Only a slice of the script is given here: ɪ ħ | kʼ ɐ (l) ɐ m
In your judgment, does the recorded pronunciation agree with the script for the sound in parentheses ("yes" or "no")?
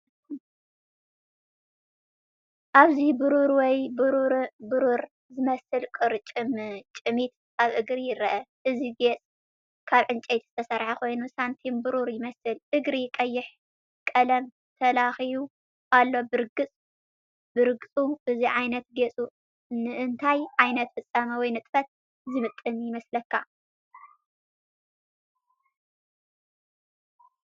yes